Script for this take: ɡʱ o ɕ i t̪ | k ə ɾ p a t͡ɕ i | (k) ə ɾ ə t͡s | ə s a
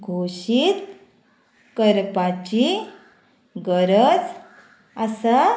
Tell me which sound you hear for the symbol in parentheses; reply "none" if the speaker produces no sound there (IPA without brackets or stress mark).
ɡ